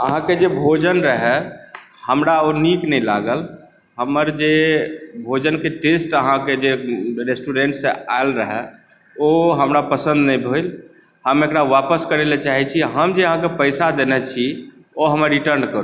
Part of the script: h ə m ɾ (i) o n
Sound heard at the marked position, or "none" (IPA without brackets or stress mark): a